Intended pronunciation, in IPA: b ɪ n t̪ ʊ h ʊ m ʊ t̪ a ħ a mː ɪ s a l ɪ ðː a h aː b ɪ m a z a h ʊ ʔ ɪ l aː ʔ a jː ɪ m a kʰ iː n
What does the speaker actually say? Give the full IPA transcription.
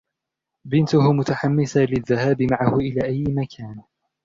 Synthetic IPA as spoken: b ɪ n t̪ ʊ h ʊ m ʊ t̪ a ħ a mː ɪ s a l ɪ ðː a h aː b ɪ m a ʕ a h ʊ ʔ ɪ l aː ʔ a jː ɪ m a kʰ aː n